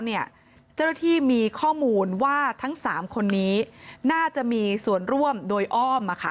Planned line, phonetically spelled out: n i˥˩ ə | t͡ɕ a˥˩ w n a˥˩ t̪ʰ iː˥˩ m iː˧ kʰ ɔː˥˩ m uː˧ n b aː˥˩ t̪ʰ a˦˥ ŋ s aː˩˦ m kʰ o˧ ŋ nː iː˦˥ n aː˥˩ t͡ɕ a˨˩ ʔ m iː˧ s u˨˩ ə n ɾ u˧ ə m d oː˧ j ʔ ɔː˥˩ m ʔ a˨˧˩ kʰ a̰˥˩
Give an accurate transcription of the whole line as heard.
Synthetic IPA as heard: n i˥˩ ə | t͡ɕ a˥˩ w n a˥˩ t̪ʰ iː˥˩ m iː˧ kʰ ɔː˥˩ m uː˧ n w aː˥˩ t̪ʰ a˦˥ ŋ s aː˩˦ m kʰ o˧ nː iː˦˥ n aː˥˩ t͡ɕ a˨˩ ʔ m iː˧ s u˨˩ ə n ɾ u˥˩ ə m d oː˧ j ʔ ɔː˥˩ m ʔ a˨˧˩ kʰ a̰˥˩

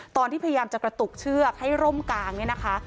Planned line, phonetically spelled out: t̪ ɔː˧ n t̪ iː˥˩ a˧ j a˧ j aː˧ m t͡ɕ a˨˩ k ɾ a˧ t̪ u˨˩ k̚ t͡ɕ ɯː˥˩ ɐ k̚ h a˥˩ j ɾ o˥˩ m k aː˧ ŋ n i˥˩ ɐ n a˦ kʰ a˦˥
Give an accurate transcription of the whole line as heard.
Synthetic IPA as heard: t̪ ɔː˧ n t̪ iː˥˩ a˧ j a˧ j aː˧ m t͡ɕ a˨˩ k ɾ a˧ t̪ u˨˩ k̚ t͡ɕʰ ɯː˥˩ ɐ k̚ h a˥˩ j ɾ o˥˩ m k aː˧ ŋ n i˥˩ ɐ n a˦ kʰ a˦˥

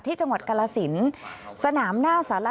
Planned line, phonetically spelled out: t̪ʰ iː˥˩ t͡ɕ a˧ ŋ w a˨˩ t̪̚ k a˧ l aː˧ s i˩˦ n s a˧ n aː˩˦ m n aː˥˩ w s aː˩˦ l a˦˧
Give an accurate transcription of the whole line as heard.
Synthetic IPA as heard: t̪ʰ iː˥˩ t͡ɕ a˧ ŋ w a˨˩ t̪̚ k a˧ l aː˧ s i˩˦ n s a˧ n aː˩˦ m n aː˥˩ w s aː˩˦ l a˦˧

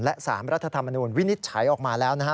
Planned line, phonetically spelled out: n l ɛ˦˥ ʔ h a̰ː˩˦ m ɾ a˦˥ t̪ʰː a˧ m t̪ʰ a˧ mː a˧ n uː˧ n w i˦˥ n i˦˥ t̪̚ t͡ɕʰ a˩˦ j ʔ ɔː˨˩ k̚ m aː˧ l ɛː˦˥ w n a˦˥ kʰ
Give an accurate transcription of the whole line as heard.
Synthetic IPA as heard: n l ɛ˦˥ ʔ s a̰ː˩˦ m ɾ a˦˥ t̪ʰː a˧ t̪ʰ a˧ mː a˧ n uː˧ n w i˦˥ n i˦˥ t̪̚ t͡ɕʰ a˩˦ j ʔ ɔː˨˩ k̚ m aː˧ l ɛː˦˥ w n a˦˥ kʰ

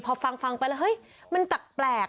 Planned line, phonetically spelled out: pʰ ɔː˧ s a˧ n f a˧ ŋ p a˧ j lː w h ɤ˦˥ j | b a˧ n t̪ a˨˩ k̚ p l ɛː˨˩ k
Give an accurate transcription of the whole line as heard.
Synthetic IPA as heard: pʰ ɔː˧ f a˧ ŋ f a˧ ŋ p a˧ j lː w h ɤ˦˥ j | m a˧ n t̪ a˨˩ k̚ p l ɛː˨˩ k

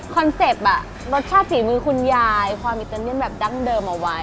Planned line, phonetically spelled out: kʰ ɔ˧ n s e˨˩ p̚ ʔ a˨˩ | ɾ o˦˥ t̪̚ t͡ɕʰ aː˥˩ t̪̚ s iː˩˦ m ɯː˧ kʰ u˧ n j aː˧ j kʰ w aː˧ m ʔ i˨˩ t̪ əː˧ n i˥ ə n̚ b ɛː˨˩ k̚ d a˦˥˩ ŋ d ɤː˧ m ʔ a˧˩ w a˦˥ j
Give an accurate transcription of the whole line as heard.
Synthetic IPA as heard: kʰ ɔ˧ n s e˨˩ p̚ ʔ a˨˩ | ɾ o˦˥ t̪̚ t͡ɕʰ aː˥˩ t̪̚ s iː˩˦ m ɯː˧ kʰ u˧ n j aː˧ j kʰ w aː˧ m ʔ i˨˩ t̪ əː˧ n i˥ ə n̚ b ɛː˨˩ p̚ d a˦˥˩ ŋ d ɤː˧ m ʔ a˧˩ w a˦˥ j

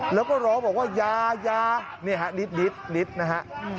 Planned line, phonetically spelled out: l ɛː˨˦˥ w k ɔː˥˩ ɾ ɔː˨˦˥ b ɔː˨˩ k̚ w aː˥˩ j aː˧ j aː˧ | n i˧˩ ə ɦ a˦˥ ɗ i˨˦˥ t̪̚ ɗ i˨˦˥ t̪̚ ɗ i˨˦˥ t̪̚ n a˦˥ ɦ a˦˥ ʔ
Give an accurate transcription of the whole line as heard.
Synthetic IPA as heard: l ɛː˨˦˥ w k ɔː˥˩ ɾ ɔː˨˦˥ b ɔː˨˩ k̚ w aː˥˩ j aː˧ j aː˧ | n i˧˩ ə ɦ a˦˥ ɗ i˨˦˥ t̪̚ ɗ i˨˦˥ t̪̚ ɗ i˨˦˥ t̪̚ n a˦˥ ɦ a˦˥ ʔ

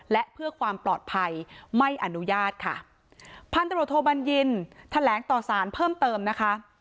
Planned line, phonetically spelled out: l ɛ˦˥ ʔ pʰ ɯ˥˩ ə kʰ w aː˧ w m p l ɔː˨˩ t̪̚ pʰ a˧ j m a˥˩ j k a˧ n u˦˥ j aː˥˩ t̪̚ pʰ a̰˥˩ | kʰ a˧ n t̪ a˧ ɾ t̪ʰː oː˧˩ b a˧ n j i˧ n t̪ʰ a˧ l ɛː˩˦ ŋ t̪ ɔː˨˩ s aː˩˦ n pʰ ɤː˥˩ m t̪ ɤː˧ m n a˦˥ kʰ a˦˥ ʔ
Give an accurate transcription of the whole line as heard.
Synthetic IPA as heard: l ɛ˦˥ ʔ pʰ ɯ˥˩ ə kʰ w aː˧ m p l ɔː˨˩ t̪̚ pʰ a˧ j m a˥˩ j ʔ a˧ n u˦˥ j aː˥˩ t̪̚ kʰ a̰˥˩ | pʰ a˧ n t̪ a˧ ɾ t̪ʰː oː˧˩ b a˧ n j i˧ n t̪ʰ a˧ l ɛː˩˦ ŋ t̪ ɔː˨˩ s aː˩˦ n pʰ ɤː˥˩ m t̪ ɤː˧ m n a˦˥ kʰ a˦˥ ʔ

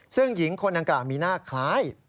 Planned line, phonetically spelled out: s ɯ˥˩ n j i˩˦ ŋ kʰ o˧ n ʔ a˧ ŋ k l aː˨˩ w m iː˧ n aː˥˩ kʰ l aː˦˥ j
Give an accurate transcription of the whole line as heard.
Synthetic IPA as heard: s ɯ˥˩ ŋ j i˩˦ ŋ kʰ o˧ n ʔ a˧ ŋ k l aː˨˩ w m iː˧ n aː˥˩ kʰ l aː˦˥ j

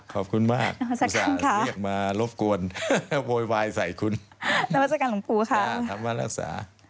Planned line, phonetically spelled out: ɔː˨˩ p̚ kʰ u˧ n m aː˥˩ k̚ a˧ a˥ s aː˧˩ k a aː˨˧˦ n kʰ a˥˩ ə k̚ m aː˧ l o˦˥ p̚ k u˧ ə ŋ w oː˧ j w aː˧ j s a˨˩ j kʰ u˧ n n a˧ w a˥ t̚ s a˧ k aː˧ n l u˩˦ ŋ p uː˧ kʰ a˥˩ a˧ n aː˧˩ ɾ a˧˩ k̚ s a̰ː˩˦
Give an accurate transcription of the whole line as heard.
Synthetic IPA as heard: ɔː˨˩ p̚ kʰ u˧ n m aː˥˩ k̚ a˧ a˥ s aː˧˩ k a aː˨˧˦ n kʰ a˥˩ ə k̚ m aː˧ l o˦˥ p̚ k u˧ ə n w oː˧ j w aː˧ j s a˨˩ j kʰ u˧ n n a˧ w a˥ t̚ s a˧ k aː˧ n l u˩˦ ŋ p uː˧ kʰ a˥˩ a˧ m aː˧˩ ɾ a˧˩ k̚ s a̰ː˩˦

